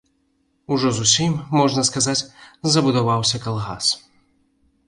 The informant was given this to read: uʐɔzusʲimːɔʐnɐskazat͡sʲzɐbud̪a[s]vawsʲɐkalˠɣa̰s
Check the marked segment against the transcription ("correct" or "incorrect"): incorrect